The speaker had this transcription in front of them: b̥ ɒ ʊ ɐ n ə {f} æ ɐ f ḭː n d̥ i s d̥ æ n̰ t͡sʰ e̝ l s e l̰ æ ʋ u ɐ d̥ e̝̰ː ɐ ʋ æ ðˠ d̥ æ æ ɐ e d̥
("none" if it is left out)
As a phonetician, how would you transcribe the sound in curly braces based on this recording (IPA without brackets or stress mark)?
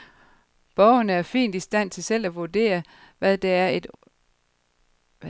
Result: none